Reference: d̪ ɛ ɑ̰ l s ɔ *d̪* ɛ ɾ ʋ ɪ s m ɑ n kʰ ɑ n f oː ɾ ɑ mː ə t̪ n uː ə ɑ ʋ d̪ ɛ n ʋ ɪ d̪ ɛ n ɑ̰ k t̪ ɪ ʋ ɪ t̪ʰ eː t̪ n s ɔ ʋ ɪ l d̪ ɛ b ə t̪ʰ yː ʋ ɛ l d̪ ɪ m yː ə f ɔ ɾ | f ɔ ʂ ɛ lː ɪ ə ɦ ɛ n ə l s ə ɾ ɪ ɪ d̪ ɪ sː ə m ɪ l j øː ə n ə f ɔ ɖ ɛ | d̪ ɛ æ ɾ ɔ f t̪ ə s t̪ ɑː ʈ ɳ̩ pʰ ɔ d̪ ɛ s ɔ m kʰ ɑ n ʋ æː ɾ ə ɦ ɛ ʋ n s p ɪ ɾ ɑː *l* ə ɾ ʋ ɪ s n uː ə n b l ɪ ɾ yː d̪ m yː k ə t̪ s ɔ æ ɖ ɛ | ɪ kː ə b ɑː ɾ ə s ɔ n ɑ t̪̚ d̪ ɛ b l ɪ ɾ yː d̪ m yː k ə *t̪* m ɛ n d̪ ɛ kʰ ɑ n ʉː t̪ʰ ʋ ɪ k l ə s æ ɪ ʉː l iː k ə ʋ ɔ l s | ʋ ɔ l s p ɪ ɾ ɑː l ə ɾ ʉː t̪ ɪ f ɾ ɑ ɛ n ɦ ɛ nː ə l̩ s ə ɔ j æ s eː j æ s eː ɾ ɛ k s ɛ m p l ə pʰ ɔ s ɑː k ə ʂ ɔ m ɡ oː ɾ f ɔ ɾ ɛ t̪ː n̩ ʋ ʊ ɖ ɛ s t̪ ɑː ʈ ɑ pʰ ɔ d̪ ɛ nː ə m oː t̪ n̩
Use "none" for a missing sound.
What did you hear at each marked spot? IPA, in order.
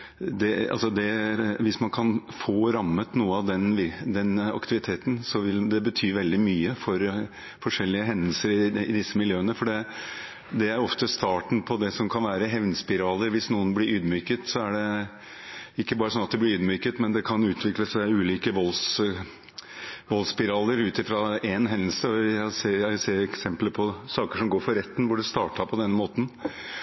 d̪, l, t̪

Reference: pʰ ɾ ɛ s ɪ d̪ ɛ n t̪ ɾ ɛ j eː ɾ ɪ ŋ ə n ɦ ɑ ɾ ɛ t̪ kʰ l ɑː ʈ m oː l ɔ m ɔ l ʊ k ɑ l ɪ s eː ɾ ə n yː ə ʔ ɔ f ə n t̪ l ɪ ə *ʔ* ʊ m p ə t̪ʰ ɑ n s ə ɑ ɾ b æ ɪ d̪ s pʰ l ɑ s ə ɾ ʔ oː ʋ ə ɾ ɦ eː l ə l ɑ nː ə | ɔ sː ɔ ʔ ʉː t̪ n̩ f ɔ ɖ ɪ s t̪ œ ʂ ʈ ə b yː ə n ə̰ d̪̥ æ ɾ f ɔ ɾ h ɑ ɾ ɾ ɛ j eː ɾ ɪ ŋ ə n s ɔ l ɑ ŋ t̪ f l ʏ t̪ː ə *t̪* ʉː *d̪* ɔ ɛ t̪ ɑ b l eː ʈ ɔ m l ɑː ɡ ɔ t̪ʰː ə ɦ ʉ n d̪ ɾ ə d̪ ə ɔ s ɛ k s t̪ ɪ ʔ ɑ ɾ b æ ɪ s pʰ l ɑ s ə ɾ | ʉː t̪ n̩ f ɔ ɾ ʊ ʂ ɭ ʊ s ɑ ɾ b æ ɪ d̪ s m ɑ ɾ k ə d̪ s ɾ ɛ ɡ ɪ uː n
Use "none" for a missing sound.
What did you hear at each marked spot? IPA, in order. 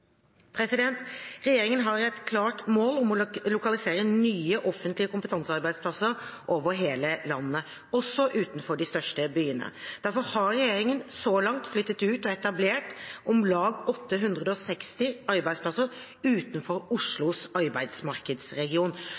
k, t̪, t̪

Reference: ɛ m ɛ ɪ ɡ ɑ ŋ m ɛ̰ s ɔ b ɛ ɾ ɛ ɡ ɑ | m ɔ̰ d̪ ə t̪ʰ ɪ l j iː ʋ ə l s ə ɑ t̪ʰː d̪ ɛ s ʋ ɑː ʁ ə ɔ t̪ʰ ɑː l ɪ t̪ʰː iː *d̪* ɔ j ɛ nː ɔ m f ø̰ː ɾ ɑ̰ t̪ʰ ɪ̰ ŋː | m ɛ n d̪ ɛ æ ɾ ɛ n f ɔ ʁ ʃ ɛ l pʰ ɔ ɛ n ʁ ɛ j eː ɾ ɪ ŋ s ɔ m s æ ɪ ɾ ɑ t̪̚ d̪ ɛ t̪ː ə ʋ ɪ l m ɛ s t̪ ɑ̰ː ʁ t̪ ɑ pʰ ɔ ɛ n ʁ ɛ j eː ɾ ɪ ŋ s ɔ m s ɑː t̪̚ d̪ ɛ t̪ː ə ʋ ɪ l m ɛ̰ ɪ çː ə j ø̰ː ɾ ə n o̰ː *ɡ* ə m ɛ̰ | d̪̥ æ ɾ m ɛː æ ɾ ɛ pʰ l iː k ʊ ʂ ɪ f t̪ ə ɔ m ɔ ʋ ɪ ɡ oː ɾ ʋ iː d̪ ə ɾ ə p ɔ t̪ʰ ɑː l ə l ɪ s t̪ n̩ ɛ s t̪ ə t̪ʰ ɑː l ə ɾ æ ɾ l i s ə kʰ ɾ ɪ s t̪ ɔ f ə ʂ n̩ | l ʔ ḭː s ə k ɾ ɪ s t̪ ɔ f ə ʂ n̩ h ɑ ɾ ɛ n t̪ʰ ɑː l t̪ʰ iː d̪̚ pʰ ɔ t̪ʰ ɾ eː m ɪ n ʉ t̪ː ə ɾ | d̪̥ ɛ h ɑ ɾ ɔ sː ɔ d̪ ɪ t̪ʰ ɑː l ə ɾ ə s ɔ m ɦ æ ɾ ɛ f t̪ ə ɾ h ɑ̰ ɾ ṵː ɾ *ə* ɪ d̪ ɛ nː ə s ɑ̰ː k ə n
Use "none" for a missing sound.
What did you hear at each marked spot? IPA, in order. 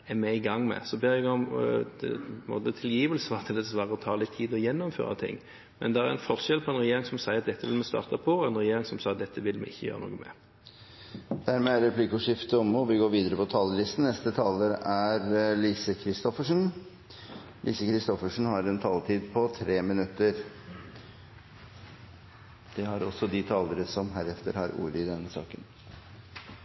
d̪, ɡ, ə

